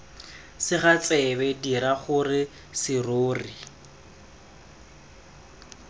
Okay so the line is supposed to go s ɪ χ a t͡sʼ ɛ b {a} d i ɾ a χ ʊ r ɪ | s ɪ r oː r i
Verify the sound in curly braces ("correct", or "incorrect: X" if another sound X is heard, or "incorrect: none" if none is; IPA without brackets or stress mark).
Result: incorrect: ɛ